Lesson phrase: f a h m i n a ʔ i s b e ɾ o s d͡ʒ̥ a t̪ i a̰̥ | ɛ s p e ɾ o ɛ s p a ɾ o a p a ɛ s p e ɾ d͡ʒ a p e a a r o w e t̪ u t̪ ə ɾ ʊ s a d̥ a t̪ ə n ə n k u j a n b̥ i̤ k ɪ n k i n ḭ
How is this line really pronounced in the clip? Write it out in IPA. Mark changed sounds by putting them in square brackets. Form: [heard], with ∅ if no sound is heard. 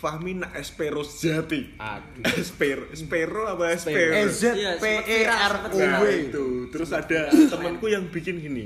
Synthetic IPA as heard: f a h m i n a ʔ [ɛ] s [p] e ɾ o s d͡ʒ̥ a t̪ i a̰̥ | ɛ s p e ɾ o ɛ s p [e] ɾ o a p a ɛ s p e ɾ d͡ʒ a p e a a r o w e t̪ u t̪ ə ɾ ʊ s a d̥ a t̪ ə [m] ə n k u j a [ŋ] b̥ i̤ k ɪ n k i n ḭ